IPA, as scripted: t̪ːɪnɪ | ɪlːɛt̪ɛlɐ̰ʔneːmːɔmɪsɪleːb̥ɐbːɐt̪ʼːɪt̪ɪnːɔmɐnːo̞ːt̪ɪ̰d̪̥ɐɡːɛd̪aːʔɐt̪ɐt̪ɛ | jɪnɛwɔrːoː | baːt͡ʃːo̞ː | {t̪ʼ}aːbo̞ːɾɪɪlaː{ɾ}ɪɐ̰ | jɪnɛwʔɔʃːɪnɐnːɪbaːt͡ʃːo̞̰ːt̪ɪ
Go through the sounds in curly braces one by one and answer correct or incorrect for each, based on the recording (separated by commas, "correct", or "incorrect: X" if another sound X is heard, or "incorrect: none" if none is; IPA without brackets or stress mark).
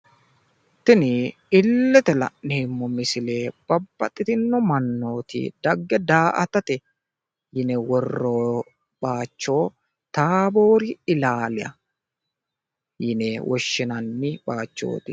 incorrect: t̪, incorrect: l